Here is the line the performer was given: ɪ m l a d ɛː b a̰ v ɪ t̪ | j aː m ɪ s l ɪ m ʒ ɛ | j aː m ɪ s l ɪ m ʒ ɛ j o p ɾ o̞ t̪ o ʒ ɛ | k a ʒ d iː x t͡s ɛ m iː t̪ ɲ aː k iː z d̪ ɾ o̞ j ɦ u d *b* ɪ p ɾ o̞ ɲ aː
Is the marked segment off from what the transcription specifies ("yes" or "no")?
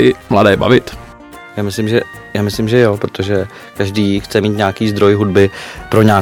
no